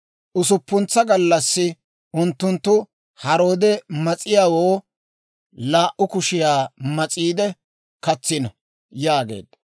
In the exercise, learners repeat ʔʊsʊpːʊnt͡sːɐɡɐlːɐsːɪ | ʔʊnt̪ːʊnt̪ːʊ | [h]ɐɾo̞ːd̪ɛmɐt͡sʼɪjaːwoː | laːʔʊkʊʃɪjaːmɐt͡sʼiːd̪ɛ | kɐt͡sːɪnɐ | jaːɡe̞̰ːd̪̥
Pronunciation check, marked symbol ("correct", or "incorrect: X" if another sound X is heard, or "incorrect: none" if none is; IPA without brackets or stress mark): correct